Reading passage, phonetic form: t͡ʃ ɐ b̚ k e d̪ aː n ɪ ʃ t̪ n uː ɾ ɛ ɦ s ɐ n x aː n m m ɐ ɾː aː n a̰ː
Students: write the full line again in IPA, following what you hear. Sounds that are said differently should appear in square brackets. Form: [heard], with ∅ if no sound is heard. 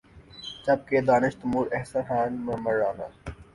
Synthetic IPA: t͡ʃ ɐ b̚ k e d̪ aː n ɪ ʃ t̪ [m] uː ɾ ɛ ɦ s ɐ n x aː n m m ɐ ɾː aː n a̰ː